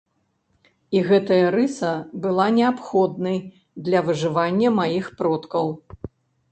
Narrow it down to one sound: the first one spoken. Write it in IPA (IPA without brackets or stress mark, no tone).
i